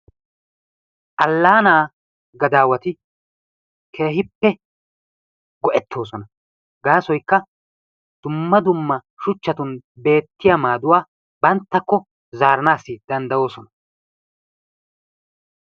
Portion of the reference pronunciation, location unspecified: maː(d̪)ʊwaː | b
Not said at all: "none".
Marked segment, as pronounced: d̪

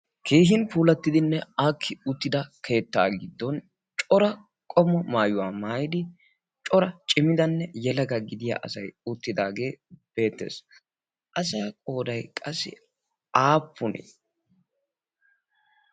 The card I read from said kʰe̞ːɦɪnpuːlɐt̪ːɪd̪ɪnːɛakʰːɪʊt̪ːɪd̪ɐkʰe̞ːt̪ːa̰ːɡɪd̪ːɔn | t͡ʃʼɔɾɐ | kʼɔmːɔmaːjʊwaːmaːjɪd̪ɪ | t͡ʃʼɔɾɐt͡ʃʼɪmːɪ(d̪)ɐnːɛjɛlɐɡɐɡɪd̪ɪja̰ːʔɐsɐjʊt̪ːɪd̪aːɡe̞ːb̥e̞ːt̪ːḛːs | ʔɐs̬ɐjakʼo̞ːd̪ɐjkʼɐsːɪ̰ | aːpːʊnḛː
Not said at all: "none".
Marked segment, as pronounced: d̪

